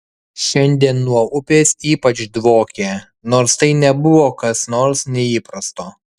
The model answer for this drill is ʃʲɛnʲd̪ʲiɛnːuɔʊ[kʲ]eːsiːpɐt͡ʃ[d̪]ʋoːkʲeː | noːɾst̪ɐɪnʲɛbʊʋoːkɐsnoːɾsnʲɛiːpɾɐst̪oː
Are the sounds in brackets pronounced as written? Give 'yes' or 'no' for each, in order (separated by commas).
no, yes